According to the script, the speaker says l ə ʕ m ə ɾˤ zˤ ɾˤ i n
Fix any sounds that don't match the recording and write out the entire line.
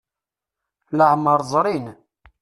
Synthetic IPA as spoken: l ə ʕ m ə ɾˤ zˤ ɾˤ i n